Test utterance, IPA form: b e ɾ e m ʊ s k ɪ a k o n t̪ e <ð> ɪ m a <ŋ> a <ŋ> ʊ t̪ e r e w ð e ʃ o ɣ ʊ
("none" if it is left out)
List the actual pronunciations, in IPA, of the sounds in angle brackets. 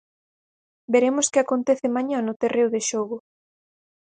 θ, ɲ, n

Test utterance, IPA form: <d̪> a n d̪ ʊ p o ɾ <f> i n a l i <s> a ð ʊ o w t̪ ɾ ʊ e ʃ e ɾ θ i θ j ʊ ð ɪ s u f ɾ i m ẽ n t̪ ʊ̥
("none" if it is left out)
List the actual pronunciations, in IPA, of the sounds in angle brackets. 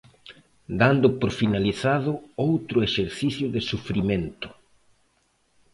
d̪, f, θ

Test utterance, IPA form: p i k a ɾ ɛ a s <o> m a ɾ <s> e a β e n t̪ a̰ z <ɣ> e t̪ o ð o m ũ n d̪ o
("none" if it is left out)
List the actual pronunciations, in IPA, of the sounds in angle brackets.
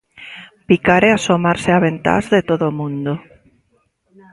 o, s, ð

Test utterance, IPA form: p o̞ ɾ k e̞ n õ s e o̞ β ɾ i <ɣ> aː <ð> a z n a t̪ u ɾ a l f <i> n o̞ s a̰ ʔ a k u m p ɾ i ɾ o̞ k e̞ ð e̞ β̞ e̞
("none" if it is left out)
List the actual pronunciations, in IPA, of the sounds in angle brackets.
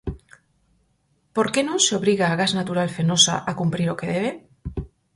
ɣ, ɣ, e

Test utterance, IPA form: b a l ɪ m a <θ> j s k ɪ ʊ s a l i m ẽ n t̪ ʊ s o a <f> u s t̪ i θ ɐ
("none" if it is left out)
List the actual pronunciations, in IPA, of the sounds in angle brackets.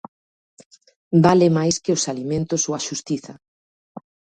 none, ʃ

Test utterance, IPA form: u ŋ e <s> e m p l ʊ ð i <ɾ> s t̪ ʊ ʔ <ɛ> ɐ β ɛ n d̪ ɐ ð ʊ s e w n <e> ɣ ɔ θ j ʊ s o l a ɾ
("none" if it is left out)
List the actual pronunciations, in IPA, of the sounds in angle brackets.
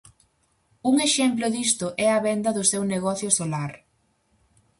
ʃ, none, ɛ, e

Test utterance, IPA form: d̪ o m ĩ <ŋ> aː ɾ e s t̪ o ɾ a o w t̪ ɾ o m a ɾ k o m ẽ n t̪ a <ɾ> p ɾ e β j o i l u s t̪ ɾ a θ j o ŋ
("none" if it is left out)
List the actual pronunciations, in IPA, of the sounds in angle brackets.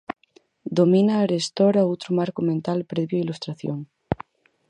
n, l

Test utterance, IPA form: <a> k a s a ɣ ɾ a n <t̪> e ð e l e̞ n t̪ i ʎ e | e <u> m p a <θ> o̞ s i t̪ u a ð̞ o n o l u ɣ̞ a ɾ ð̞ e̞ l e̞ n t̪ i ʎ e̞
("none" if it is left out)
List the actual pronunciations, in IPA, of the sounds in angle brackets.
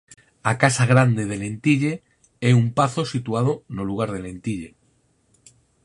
a, d̪, u, θ

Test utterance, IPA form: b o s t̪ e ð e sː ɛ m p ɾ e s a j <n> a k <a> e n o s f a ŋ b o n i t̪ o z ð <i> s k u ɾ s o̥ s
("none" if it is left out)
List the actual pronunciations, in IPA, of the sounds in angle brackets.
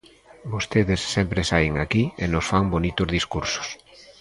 ŋ, i, i

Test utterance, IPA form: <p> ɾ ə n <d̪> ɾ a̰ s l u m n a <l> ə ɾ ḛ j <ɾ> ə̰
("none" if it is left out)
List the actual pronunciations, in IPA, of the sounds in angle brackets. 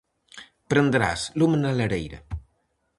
p, d̪, l, ɾ

